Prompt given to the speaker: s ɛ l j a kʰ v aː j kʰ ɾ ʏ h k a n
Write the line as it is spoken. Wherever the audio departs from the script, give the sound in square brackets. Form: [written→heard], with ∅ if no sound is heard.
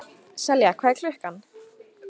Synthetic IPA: s ɛ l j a kʰ v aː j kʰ [ɾ→l] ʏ h k a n